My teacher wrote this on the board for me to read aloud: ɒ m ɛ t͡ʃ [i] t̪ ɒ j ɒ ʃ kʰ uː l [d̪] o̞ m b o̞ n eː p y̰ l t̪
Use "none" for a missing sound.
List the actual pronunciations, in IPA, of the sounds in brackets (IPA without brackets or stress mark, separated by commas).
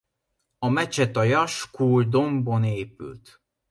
ɛ, d̪